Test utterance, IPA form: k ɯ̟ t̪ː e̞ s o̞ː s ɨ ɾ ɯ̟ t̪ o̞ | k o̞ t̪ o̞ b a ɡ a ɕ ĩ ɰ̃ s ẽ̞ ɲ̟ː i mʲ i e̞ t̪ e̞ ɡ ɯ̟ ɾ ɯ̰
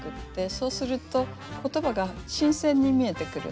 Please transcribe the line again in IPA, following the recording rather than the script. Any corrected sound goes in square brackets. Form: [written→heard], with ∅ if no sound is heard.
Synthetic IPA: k ɯ̟ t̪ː e̞ s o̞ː s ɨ ɾ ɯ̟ t̪ o̞ | k o̞ t̪ o̞ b a ɡ a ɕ ĩ ɰ̃ s ẽ̞ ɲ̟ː i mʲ i e̞ t̪ e̞ [ɡ→k] ɯ̟ ɾ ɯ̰

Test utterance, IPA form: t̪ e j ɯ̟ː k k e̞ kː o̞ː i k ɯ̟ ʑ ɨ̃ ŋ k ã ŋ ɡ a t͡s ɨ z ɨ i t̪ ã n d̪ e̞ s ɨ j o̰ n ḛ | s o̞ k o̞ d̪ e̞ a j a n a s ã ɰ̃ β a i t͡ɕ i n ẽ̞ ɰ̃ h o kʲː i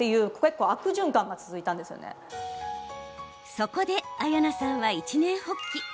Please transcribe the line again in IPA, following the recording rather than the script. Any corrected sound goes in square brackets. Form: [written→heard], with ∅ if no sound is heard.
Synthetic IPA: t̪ e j ɯ̟ː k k e̞ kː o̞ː [i→a] k ɯ̟ ʑ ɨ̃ ŋ k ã ŋ ɡ a t͡s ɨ z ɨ i t̪ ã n d̪ e̞ s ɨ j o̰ n ḛ | s o̞ k o̞ d̪ e̞ a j a n a s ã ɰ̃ β a i t͡ɕ i n ẽ̞ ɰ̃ h o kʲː i

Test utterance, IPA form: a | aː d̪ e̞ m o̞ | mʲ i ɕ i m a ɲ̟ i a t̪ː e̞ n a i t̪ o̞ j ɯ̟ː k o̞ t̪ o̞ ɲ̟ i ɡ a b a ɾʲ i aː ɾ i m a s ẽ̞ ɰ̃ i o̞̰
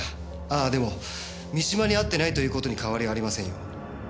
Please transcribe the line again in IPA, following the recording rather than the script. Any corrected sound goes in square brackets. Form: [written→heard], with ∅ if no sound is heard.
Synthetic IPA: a | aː d̪ e̞ m o̞ | mʲ i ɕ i m a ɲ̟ i a t̪ː e̞ n a i t̪ o̞ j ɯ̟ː k o̞ t̪ o̞ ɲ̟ i [ɡ→k] a [b→β] a ɾʲ i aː ɾ i m a s ẽ̞ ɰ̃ [i→j] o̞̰

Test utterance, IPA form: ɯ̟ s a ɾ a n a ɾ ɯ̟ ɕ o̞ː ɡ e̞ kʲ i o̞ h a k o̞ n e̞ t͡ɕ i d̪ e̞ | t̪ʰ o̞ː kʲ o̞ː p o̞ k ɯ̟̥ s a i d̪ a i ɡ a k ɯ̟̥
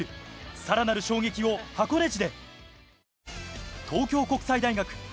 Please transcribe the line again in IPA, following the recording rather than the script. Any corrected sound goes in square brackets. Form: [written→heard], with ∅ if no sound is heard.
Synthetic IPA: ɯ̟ s a ɾ a n a ɾ ɯ̟ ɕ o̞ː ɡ e̞ kʲ i o̞ h a k o̞ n e̞ t͡ɕ i d̪ e̞ | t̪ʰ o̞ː kʲ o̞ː [p→k] o̞ k ɯ̟̥ s a i d̪ a i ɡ a k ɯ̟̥

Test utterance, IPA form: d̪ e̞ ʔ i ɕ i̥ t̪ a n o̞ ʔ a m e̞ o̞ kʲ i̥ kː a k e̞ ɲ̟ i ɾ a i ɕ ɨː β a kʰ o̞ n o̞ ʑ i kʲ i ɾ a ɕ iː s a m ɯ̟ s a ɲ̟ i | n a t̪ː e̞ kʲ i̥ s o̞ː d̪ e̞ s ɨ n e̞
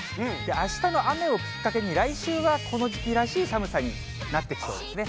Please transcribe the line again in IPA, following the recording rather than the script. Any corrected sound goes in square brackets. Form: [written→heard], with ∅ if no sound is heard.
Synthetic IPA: d̪ e̞ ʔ [i→a] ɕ i̥ t̪ a n o̞ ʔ a m e̞ o̞ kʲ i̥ kː a k e̞ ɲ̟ i ɾ a i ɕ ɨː β a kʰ o̞ n o̞ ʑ i kʲ i ɾ a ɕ iː s a m ɯ̟ s a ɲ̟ i | n a t̪ː e̞ kʲ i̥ s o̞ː d̪ e̞ s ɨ n e̞

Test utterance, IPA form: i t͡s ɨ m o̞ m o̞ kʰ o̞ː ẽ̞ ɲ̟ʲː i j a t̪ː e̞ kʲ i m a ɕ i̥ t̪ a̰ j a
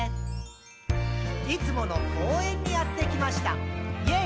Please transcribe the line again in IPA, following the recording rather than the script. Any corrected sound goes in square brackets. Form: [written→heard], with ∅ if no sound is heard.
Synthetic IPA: i t͡s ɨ m o̞ [m→n] o̞ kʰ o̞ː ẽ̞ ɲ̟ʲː i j a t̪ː e̞ kʲ i m a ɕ i̥ t̪ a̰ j [a→e]

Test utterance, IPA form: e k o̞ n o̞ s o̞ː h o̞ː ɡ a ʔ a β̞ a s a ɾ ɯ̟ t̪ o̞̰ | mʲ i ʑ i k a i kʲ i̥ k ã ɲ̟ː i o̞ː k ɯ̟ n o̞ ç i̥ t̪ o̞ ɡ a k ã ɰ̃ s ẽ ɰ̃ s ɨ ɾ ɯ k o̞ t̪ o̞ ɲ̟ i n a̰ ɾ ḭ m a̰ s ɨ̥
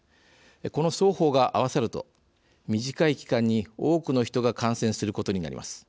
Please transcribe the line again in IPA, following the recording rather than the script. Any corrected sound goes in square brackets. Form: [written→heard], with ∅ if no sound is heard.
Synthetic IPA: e k o̞ n o̞ s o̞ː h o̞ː ɡ a ʔ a β̞ a s a ɾ ɯ̟ t̪ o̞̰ | mʲ i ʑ i k a i kʲ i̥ k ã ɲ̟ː i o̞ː k ɯ̟ n o̞ ç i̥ t̪ o̞ ɡ a k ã ɰ̃ s ẽ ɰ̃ s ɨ ɾ ɯ k o̞ t̪ o̞ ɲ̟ i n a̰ ɾ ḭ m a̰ s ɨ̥

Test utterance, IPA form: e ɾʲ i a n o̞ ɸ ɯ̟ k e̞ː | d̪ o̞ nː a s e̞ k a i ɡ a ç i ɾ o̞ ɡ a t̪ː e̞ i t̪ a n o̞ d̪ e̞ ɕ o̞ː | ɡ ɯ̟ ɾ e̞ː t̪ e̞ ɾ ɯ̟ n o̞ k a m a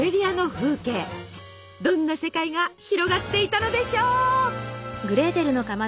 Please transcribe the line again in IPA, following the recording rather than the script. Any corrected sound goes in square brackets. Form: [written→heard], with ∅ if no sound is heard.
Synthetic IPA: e ɾʲ i a n o̞ ɸ [ɯ̟→ɯ̟ː] k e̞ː | d̪ [o̞→õ̞] nː a s e̞ k a i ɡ a ç i ɾ o̞ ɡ a t̪ː e̞ i t̪ a n o̞ d̪ e̞ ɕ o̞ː | ɡ ɯ̟ ɾ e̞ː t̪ e̞ ɾ ɯ̟ n o̞ k a m a

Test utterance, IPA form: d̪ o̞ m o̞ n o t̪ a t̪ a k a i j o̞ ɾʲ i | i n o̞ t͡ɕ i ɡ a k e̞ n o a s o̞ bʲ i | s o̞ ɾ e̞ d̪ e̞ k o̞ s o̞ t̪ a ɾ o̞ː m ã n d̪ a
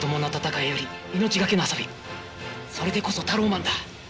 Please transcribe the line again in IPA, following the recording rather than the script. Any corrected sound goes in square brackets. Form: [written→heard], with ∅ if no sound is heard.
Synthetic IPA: d̪ o̞ m o̞ n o t̪ a t̪ a k a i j o̞ ɾʲ i | i n o̞ t͡ɕ i ɡ a k e̞ n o a s o̞ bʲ i | s o̞ ɾ e̞ d̪ e̞ k o̞ s o̞ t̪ a ɾ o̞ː m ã n d̪ a

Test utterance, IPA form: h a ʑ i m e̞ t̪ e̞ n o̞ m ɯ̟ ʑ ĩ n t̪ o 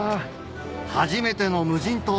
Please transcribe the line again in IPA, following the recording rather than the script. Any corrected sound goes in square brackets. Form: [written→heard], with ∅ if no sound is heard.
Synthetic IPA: h a ʑ i m e̞ t̪ e̞ n o̞ m ɯ̟ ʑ ĩ n t̪ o

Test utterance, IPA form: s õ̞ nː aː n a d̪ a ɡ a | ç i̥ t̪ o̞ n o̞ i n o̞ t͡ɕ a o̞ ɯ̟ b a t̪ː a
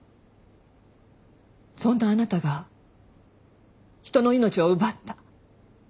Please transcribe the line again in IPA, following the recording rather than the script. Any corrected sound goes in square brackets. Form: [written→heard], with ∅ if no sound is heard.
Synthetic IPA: s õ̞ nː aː n a [d̪→t̪] a ɡ a | ç i̥ t̪ o̞ n o̞ i n o̞ t͡ɕ [a→i] o̞ ɯ̟ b a t̪ː a

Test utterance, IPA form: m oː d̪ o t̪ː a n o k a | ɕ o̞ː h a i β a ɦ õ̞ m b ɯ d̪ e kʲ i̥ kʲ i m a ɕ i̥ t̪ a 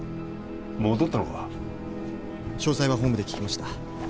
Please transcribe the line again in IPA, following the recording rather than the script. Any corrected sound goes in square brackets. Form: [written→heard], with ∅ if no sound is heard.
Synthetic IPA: m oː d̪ o t̪ː a n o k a | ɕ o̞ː [h→s] a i β a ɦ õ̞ m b ɯ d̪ e kʲ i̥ kʲ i m a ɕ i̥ t̪ a

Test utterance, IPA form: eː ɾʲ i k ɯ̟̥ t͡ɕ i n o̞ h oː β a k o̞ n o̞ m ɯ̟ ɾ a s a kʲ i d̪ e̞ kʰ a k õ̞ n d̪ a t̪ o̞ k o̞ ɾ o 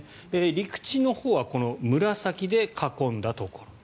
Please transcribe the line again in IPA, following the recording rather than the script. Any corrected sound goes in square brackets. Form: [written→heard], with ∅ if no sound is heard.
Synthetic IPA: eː ɾʲ i k ɯ̟̥ t͡ɕ i n o̞ h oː β a k o̞ n o̞ m ɯ̟ ɾ a s a kʲ i d̪ e̞ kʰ a k õ̞ n d̪ a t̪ o̞ k o̞ ɾ o

